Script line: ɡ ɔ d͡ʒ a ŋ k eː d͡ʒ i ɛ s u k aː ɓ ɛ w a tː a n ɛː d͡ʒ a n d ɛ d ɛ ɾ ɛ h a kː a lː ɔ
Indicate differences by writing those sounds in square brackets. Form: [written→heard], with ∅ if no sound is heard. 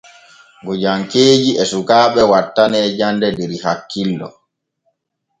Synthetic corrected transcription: ɡ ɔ d͡ʒ a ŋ k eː d͡ʒ i ɛ s u k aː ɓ ɛ w a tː a n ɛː d͡ʒ a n d ɛ d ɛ ɾ [ɛ→i] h a kː [a→i] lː ɔ

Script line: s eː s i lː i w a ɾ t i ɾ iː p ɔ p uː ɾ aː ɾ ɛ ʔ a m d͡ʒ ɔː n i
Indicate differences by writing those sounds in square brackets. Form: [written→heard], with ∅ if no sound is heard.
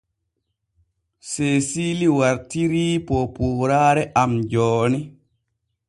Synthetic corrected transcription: s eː s i [lː→l] i w a ɾ t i ɾ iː p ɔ p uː ɾ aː ɾ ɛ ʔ a m d͡ʒ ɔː n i

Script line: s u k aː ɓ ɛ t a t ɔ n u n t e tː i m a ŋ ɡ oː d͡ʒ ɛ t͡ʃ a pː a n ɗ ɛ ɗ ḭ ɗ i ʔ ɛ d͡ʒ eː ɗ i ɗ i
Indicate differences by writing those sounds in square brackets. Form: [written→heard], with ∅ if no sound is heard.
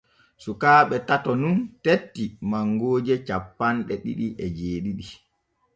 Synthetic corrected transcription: s u k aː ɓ ɛ t a t ɔ n u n t e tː i m a ŋ ɡ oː d͡ʒ ɛ t͡ʃ a pː a n ɗ ɛ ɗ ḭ ɗ i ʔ ɛ d͡ʒ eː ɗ i ɗ i

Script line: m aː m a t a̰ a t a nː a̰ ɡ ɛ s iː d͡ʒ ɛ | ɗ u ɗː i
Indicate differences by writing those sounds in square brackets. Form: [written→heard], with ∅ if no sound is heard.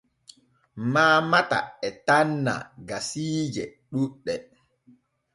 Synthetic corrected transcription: m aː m a t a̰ [a→ɛ] t a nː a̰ ɡ [ɛ→a] s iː d͡ʒ ɛ | ɗ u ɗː [i→ɛ]

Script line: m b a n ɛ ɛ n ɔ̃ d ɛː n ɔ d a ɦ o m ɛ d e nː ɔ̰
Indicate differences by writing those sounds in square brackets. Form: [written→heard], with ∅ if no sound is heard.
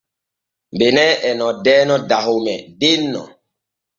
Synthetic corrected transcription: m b [a→e] n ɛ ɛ n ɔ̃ d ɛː n ɔ d a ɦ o m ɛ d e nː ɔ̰

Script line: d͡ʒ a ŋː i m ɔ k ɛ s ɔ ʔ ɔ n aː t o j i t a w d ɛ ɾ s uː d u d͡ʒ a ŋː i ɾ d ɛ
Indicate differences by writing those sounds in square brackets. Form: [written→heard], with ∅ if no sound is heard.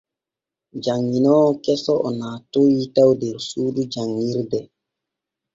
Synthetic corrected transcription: d͡ʒ a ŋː i [m→n] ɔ k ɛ s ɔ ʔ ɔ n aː t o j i t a w d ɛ ɾ s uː d u d͡ʒ a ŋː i ɾ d ɛ

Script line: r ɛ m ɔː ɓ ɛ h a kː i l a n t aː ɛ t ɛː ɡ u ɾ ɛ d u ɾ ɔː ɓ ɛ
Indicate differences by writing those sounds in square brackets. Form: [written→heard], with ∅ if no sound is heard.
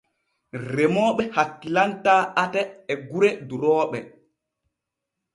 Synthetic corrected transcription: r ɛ m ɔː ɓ ɛ h a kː i l a n t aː [ɛ→a] t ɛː ɡ u ɾ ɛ d u ɾ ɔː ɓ ɛ

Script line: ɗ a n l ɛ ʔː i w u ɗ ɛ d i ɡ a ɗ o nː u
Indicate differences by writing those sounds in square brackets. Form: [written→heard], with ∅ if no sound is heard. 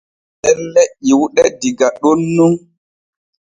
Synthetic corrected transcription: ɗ [a→ɛ] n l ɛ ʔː i w u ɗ ɛ d i ɡ a ɗ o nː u

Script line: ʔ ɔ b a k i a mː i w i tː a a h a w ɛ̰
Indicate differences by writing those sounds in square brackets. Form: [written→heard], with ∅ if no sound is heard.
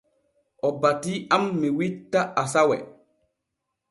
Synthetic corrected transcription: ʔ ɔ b a [k→t] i a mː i w i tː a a [h→s] a w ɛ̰

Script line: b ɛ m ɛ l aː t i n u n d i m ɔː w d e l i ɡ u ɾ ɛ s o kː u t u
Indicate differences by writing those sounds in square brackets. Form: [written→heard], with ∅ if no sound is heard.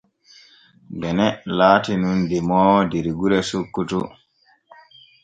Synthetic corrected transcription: b ɛ [m→n] ɛ l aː t i n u n d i m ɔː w d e [l→ɾ] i ɡ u ɾ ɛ s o kː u t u

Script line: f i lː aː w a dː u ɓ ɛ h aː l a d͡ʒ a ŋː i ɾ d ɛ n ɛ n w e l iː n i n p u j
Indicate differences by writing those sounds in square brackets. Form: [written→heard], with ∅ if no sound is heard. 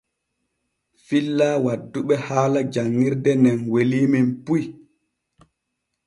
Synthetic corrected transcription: f i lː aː w a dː u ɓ ɛ h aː l a d͡ʒ a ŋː i ɾ d ɛ n ɛ n w e l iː [n→m] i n p u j

